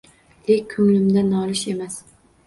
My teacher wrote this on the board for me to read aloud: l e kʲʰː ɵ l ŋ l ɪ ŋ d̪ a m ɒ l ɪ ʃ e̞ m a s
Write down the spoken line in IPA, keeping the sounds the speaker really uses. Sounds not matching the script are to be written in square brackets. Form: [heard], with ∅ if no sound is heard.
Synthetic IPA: l e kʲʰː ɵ [∅] ŋ l ɪ [m] d̪ a [n] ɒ l ɪ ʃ e̞ m a s